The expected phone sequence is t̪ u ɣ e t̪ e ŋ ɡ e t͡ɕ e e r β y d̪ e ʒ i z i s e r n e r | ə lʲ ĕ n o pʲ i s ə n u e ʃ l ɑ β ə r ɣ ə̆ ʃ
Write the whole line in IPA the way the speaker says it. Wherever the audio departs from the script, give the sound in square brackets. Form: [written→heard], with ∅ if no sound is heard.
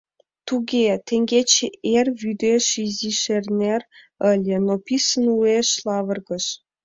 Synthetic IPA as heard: t̪ u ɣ e t̪ e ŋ ɡ e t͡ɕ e e r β y d̪ e [ʒ→ʃ] i z i [s→ʃ] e r n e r | ə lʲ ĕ n o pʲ i s ə n u e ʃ l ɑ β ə r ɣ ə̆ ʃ